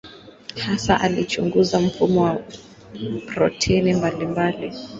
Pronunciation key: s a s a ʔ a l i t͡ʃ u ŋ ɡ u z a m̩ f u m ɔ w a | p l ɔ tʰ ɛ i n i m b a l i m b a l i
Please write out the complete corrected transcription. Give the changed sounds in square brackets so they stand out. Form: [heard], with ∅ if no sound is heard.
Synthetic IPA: [h] a s a ʔ a l i t͡ʃ u ŋ ɡ u z a m̩ f u m ɔ w a | p [ɾ] ɔ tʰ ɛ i n i m b a l i m b a l i

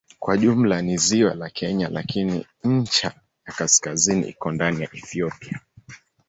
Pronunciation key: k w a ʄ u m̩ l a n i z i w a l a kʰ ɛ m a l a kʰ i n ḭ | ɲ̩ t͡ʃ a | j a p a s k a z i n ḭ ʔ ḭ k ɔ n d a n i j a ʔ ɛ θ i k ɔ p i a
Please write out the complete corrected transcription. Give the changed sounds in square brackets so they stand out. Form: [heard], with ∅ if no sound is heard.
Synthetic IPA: k w a ʄ u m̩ l a n i z i w a l a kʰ ɛ [ɲ] a l a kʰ i n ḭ | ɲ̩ t͡ʃ a | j a [k] a s k a z i n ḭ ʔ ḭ k ɔ n d a n i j a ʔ ɛ θ i [∅] ɔ p i a

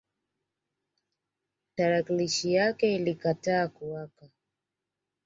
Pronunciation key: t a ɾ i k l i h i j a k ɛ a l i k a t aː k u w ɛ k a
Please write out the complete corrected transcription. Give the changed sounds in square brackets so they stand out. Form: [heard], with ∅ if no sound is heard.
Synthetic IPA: t a ɾ [a] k l i [ʃ] i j a k ɛ [i] l i k a t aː k u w [a] k a

